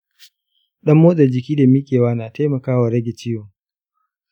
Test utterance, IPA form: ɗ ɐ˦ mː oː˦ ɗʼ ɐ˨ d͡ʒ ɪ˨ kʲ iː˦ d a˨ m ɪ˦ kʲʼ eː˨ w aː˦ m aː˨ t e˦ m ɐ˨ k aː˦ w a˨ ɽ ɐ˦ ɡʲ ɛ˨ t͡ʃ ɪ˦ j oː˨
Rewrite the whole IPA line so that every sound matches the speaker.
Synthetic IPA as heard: ɗ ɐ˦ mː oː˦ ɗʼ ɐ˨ d͡ʒ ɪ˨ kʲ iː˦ d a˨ m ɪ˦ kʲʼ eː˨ w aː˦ n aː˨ t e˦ m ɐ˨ k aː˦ w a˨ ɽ ɐ˦ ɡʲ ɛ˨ t͡ʃ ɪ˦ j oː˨